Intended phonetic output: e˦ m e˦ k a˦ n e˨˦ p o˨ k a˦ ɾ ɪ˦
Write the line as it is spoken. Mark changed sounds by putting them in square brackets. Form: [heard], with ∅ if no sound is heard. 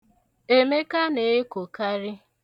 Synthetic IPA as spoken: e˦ m e˦ k a˦ n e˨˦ [k] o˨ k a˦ ɾ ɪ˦